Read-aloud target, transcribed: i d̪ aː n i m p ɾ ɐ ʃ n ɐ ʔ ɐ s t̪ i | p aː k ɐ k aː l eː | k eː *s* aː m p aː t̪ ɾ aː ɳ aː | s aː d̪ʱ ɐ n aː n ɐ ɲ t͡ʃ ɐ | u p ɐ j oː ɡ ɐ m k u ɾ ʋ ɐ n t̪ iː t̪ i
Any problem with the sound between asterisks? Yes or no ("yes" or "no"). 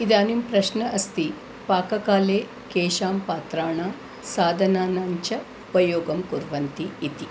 yes